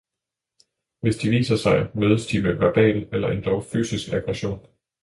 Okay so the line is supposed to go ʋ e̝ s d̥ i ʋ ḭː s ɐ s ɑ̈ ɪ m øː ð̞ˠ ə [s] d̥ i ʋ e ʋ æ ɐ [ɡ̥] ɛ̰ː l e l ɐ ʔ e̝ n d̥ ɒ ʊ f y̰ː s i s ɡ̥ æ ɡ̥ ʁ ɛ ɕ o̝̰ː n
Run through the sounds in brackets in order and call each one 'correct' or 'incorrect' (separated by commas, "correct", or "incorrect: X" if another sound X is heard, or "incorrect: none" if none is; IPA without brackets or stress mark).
correct, incorrect: b̥